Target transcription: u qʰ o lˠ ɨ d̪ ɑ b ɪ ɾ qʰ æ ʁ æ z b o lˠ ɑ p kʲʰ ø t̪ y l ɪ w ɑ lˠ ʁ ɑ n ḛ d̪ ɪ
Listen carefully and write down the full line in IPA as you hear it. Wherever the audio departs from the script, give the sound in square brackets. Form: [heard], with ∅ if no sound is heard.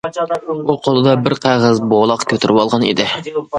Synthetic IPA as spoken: u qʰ o lˠ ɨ d̪ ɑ b ɪ ɾ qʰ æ ʁ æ z b o lˠ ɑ [q] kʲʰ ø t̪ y [ɾ] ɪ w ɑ lˠ ʁ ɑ n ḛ d̪ ɪ